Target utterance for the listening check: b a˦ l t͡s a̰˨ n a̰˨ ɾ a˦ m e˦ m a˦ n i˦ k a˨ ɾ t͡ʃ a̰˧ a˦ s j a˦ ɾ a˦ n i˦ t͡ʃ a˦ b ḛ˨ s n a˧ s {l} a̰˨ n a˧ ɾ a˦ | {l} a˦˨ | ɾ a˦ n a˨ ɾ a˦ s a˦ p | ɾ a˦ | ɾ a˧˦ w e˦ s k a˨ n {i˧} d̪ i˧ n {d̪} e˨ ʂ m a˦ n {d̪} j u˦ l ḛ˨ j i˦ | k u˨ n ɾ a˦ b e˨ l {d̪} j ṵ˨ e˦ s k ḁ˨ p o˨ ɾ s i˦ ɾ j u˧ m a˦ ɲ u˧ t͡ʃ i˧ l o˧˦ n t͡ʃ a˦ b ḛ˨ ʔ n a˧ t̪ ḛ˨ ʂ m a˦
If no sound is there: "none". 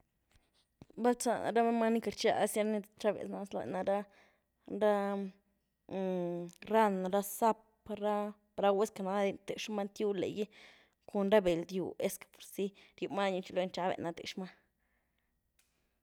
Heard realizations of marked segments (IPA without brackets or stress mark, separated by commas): l, ɾ, a˧, t̪, t̪, d̪